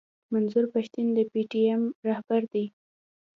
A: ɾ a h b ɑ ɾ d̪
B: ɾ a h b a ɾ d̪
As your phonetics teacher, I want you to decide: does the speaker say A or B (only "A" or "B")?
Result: B